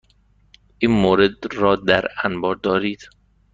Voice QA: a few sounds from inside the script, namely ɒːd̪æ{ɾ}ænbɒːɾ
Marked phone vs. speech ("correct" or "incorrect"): correct